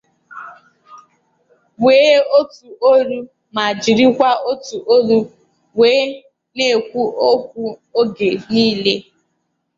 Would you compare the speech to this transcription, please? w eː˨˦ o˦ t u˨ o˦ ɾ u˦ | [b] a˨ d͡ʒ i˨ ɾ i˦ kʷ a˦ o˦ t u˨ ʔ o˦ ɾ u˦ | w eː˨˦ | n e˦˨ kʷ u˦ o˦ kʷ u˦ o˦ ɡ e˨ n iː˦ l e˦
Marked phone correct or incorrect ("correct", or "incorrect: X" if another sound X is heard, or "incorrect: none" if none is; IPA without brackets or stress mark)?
incorrect: m